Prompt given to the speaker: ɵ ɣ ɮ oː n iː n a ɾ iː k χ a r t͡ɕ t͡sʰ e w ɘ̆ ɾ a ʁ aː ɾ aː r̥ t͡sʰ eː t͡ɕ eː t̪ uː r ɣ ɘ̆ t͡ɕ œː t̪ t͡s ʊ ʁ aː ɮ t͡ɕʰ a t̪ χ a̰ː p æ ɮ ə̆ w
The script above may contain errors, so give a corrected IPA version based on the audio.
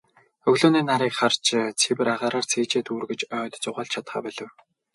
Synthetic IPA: ɵ ɣ ɮ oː n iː n a ɾ iː k χ a r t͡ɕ t͡sʰ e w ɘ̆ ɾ a ʁ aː ɾ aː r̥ t͡sʰ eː t͡ɕ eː t̪ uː r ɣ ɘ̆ t͡ɕ œː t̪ t͡s ʊ ʁ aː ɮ t͡ɕʰ a t̪ χ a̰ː p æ ɮ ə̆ w